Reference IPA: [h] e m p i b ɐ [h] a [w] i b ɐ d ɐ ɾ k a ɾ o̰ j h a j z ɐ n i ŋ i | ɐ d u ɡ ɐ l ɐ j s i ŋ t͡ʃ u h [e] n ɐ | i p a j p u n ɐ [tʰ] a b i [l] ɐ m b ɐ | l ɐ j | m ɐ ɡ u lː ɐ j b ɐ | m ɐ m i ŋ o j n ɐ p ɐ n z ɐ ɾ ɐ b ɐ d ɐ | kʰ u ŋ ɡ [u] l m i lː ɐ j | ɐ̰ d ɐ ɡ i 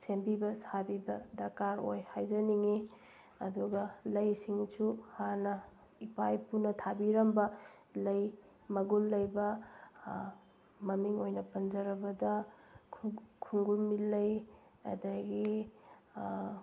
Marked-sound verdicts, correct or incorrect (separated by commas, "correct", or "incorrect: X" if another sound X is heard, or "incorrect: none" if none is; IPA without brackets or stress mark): incorrect: s, incorrect: s, incorrect: b, incorrect: a, correct, incorrect: ɾ, correct